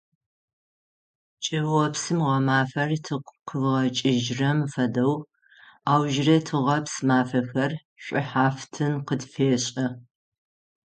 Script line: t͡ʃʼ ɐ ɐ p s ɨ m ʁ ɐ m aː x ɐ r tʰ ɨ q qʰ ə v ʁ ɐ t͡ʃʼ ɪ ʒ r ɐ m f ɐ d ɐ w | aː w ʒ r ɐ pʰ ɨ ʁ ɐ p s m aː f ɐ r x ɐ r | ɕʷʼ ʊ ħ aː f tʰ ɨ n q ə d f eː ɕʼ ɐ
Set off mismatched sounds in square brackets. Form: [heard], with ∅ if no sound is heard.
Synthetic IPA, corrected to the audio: t͡ʃʼ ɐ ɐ p s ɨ m ʁ ɐ m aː [f] ɐ r tʰ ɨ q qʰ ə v ʁ ɐ t͡ʃʼ ɪ ʒ r ɐ m f ɐ d ɐ w | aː w ʒ r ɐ [tʰ] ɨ ʁ ɐ p s m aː f ɐ [∅] x ɐ r | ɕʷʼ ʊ ħ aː f tʰ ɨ n q ə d f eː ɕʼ ɐ